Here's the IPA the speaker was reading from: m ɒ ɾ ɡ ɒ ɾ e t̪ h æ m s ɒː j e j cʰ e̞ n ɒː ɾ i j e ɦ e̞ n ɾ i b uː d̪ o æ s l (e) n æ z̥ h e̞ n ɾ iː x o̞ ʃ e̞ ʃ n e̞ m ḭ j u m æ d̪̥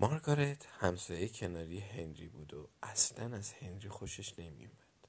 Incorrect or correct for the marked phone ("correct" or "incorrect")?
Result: incorrect